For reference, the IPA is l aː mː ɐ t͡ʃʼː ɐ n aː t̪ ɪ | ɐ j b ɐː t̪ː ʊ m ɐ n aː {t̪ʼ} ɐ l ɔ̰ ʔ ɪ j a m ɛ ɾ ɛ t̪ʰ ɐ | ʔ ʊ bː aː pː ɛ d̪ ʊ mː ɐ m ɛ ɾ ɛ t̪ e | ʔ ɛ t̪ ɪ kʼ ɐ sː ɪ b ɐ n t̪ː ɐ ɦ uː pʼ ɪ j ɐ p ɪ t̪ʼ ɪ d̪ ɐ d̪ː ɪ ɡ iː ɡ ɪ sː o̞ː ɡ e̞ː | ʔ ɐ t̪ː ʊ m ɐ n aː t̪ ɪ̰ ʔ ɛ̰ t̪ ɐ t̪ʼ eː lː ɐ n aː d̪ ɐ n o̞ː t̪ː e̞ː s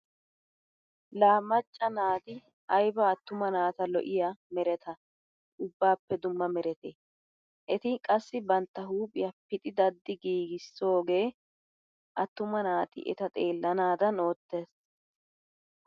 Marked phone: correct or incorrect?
incorrect